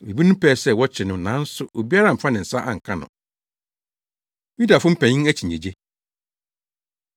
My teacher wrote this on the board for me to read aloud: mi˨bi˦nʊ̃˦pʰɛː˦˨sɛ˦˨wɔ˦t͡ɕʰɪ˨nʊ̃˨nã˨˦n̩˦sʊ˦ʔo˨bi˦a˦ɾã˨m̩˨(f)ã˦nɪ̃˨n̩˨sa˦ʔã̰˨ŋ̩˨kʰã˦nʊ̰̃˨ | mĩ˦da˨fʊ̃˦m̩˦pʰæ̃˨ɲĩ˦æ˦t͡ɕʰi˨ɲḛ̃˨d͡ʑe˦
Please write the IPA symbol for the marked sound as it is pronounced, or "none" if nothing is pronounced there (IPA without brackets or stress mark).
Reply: f